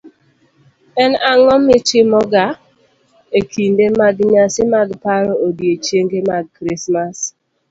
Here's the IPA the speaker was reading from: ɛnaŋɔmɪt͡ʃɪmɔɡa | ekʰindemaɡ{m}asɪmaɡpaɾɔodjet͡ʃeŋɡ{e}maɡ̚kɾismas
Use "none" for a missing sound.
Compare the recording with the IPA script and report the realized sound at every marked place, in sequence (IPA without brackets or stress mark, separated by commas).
ɲ, e